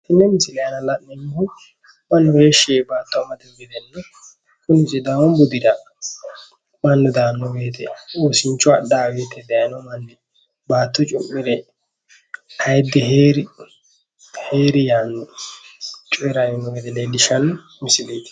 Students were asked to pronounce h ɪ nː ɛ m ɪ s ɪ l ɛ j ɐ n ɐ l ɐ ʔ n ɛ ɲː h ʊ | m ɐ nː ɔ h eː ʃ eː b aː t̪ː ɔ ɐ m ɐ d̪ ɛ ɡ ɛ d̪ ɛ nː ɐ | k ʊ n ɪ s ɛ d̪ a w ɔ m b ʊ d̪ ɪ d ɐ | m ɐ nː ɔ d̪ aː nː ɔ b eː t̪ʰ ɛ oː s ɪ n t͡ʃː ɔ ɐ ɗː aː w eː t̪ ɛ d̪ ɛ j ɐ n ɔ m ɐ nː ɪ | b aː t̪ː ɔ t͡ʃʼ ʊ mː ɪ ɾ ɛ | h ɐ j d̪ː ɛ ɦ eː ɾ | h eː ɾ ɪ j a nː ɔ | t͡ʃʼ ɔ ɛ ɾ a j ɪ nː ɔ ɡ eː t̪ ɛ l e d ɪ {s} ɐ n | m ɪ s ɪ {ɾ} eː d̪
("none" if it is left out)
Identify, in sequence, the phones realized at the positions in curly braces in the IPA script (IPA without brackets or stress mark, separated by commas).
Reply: ʃ, l